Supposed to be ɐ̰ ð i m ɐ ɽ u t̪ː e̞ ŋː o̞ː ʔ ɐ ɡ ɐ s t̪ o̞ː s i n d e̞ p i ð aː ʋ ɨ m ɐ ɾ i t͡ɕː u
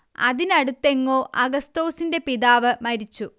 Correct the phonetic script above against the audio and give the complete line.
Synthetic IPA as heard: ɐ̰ ð i n ɐ ɽ u t̪ː e̞ ŋː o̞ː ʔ ɐ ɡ ɐ s t̪ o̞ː s i n d e̞ p i ð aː ʋ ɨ m ɐ ɾ i t͡ɕː u